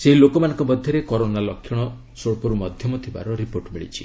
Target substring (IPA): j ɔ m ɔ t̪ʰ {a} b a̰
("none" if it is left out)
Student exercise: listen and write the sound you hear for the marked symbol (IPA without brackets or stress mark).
i